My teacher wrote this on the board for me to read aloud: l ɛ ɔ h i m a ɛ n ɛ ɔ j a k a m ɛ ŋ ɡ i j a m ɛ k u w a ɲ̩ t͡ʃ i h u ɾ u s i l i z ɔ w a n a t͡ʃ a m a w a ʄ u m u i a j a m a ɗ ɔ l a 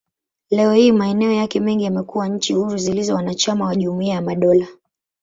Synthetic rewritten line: l ɛ ɔ h i m a ɛ n ɛ ɔ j a k ɛ m ɛ ŋ ɡ i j a m ɛ k u w a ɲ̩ t͡ʃ i h u ɾ u z i l i z ɔ w a n a t͡ʃ a m a w a ʄ u m u i a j a m a ɗ ɔ l a